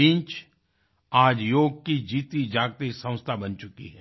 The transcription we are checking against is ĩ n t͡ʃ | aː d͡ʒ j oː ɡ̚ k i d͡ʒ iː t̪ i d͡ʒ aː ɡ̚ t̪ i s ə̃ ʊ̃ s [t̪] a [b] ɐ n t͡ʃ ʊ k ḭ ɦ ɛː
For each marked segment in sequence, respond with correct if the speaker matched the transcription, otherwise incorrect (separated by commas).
incorrect, correct